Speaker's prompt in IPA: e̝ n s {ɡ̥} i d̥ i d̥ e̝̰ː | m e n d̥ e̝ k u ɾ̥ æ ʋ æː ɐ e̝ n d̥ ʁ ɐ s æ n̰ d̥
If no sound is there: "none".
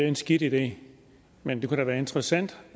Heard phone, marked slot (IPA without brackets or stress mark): ɡ̥